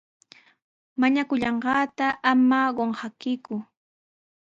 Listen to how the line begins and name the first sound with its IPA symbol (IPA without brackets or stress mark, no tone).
m